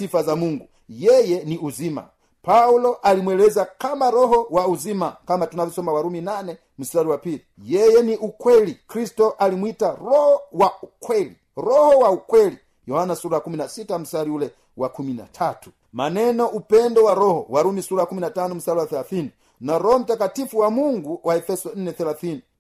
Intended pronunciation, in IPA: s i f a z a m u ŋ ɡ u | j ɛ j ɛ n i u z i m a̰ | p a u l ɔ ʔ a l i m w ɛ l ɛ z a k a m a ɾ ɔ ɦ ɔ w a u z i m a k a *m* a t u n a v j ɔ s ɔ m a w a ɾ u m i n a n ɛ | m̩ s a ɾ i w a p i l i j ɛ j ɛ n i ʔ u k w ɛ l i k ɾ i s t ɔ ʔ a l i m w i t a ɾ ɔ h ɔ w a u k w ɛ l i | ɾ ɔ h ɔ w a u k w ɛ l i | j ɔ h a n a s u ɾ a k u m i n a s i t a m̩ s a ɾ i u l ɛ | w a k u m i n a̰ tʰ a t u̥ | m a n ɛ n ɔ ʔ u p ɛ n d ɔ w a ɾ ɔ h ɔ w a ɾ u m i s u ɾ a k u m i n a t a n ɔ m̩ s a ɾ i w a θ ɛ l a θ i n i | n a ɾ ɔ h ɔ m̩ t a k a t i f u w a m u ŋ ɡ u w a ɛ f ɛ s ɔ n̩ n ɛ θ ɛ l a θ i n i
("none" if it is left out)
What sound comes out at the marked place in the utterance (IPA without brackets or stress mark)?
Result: m